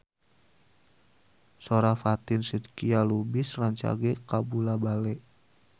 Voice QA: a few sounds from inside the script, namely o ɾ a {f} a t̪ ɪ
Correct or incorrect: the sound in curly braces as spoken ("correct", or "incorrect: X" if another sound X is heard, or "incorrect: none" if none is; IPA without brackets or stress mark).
correct